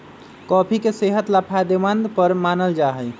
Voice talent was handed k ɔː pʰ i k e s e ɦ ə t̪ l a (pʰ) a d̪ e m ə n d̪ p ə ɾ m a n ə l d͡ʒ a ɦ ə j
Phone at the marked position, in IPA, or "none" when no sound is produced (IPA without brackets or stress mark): pʰ